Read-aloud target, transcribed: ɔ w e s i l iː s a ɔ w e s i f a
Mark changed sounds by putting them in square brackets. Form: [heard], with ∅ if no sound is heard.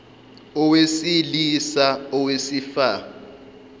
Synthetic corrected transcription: ɔ w e s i l [i] s a ɔ w e s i f a